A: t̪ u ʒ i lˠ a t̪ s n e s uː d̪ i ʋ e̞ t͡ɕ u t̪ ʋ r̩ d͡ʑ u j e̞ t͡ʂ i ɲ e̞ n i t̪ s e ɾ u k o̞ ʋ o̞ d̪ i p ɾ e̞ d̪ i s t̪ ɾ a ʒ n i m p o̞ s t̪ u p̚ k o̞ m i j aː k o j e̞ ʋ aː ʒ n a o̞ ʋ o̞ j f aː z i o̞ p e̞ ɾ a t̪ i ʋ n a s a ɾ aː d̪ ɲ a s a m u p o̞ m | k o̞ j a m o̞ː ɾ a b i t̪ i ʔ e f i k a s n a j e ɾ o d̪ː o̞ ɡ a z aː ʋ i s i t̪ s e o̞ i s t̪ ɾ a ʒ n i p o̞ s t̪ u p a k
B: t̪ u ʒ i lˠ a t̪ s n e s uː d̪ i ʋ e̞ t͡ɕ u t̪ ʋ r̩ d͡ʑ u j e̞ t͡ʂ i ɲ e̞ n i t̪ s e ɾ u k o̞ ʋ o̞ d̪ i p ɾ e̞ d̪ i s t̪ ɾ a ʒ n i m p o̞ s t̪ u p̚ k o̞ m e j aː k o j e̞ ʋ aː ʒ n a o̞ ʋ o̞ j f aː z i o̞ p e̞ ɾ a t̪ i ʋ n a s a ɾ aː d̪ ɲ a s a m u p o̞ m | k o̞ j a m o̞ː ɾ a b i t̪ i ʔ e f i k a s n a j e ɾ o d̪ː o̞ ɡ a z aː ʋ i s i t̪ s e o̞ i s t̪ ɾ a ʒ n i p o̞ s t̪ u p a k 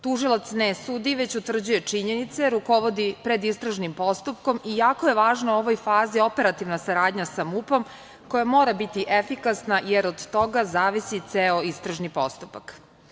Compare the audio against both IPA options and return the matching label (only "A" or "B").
A